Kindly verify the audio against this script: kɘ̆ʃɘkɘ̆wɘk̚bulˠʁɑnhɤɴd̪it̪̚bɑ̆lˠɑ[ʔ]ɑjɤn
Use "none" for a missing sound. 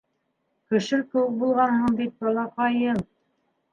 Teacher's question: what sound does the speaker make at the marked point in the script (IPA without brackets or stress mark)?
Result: q